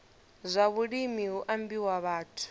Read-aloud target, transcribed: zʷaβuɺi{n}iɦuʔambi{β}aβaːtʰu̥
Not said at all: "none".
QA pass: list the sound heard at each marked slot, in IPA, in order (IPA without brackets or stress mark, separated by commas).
m, w